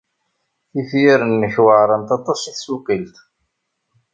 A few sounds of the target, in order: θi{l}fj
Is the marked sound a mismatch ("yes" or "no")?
yes